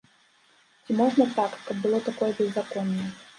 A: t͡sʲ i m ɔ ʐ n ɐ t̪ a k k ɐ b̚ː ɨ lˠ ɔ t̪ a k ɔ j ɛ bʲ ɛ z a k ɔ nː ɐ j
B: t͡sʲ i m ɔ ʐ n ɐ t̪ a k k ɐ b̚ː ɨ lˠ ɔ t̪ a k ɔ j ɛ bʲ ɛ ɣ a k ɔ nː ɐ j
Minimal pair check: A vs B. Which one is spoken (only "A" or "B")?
A